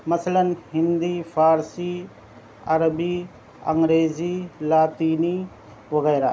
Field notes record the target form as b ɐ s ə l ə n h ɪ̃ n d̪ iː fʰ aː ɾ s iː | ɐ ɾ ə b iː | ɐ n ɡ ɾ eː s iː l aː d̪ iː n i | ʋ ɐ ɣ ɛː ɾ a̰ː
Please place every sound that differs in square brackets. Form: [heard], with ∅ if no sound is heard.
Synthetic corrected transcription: [m] ɐ s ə l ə n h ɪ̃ n d̪ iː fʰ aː ɾ s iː | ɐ ɾ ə b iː | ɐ [ŋ] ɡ ɾ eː [z] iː l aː [t̪] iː n i | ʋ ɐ ɣ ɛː ɾ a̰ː